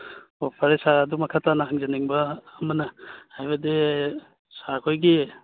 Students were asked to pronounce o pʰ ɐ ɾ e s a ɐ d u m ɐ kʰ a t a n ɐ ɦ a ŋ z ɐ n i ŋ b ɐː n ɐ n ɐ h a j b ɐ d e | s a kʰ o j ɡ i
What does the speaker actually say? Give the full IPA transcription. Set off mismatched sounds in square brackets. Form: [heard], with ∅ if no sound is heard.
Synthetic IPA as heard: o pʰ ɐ ɾ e s a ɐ d u m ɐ kʰ a t a n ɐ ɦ a ŋ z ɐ n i ŋ b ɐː [m] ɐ n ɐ h a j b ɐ d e | s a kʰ o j ɡ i